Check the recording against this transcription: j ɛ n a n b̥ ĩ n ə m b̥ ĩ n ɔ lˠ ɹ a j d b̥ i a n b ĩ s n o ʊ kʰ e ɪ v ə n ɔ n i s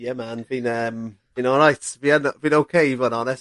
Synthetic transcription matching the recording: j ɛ m a n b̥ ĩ n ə m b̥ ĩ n ɔ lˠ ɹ a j t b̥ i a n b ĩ n o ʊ kʰ e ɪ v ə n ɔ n ɛ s